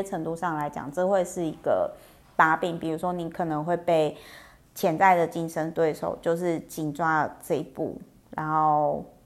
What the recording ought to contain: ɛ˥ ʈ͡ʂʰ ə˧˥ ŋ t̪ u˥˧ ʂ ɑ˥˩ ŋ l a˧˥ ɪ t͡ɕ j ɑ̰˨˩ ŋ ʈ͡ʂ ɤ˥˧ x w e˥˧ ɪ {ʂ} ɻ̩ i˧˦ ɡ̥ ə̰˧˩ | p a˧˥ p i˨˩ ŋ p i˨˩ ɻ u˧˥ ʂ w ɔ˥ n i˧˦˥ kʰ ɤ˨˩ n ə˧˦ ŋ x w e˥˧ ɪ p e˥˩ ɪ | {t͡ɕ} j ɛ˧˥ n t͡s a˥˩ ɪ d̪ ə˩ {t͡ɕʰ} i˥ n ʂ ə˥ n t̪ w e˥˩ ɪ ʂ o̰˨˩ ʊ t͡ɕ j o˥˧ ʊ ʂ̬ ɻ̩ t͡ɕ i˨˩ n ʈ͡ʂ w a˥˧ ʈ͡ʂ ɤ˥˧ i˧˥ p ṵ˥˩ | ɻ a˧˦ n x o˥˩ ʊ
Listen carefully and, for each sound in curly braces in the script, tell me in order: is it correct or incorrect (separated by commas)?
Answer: correct, incorrect, incorrect